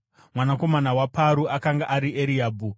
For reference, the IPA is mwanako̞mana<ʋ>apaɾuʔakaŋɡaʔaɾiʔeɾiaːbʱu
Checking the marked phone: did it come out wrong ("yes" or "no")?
yes